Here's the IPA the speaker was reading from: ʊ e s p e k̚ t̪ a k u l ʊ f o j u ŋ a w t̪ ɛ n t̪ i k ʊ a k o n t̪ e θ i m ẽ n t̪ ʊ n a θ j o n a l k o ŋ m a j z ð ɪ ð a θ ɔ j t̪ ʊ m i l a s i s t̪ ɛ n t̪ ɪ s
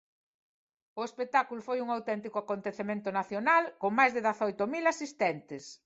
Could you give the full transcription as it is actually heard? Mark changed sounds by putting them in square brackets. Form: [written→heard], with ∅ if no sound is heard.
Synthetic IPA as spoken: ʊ e s p e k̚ t̪ a k u l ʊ f o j u ŋ a w t̪ ɛ n t̪ i k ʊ a k o n t̪ e θ [i→e] m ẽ n t̪ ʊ n a θ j o n a l k o ŋ m a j z ð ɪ ð a θ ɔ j t̪ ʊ m i l a s i s t̪ ɛ n t̪ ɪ s